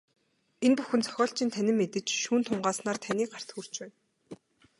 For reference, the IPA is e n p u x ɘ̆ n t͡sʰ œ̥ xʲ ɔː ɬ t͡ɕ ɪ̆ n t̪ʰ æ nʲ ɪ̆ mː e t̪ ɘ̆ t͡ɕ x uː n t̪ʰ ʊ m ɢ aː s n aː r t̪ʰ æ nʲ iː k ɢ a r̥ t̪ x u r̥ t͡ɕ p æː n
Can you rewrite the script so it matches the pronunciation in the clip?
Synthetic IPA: e n p u x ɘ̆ n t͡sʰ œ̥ xʲ ɔː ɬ t͡ɕ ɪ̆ n t̪ʰ æ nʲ ɪ̆ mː e t̪ ɘ̆ t͡ɕ ʃ uː n t̪ʰ ʊ ɴ ɢ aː s n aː r t̪ʰ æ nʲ iː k ɢ a r̥ t̪ x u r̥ t͡ɕ p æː n